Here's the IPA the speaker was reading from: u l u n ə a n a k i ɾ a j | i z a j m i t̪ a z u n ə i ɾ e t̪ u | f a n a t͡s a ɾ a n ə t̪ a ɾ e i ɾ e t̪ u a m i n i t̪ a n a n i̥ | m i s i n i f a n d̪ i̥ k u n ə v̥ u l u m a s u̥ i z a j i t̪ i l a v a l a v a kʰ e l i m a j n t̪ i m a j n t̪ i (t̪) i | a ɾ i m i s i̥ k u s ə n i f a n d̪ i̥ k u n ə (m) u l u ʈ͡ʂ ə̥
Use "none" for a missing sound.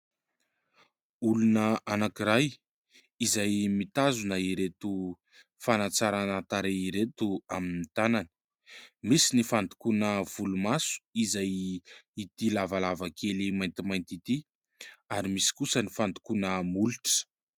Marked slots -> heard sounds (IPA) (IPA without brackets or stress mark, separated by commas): t̪, m